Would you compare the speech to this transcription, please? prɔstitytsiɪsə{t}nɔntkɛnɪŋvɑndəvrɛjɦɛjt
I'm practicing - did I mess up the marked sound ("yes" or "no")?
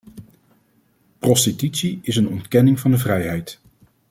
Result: yes